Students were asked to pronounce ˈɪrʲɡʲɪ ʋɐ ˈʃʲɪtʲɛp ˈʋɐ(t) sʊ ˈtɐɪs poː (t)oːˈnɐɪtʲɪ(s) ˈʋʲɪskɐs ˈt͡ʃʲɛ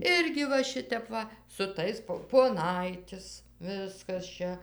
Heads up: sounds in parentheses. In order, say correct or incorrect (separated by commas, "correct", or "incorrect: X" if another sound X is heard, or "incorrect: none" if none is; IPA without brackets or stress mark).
incorrect: none, incorrect: p, correct